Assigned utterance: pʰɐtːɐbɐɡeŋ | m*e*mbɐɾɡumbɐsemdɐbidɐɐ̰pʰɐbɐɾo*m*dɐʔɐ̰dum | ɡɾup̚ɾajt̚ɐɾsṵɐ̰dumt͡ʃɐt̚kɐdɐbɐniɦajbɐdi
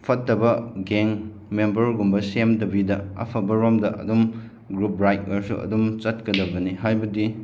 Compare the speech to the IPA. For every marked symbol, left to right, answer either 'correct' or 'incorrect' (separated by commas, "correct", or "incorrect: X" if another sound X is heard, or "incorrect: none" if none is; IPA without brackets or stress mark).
correct, correct